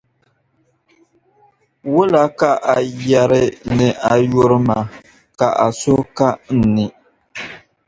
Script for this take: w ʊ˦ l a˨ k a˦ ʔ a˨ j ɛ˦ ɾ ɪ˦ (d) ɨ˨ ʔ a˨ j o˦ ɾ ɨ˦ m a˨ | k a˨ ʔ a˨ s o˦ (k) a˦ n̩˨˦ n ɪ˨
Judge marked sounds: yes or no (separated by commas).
no, yes